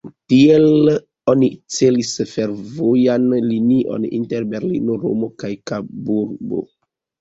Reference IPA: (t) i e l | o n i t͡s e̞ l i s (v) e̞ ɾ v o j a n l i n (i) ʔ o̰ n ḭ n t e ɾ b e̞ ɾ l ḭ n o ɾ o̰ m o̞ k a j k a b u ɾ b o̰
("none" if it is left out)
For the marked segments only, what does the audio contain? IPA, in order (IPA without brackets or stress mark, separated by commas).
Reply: t, f, i